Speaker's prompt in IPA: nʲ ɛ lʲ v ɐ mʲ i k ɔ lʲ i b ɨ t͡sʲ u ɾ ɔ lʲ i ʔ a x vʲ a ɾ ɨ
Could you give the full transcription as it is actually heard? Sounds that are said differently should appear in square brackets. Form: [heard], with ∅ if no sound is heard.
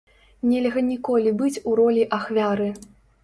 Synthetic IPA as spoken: nʲ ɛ lʲ [ɣ] ɐ [nʲ] i k ɔ lʲ i b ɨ t͡sʲ u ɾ ɔ lʲ i ʔ a x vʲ a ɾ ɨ